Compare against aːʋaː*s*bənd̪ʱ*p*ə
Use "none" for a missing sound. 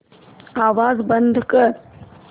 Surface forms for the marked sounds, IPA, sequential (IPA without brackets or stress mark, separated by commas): z, k